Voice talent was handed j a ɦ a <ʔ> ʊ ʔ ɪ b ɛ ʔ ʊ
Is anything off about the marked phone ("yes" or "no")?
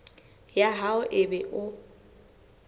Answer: yes